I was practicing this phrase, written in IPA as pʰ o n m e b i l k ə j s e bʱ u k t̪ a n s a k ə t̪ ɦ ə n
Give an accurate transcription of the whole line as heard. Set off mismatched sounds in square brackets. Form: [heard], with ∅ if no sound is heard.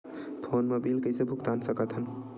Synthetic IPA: pʰ o n m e b i l k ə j s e bʱ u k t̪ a n s [ə] k ə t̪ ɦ ə n